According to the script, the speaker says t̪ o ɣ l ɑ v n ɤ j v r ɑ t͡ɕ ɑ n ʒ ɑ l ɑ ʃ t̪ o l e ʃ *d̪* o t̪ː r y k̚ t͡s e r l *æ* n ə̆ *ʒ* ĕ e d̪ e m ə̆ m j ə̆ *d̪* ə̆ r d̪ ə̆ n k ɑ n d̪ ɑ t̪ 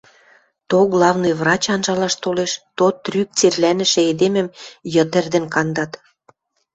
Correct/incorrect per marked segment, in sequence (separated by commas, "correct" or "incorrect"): incorrect, correct, incorrect, incorrect